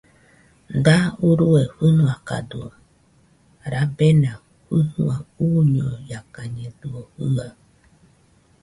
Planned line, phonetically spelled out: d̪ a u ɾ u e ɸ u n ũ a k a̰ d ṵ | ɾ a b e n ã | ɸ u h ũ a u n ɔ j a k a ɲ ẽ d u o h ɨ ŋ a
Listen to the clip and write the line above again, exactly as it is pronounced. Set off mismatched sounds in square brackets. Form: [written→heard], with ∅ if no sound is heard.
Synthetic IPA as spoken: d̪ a u ɾ u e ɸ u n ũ a k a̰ d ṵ | ɾ a b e n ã | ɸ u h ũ a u [n→ɲ] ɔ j a k a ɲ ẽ d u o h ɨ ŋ a